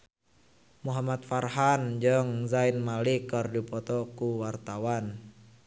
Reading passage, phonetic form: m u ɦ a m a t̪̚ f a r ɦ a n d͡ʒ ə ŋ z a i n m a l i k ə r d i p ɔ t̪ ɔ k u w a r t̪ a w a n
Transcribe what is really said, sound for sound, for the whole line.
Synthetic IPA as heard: m u ɦ a m a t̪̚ f a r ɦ a n d͡ʒ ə ŋ z a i n m a l i k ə r d i p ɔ t̪ ɔ k u w a r t̪ a w a n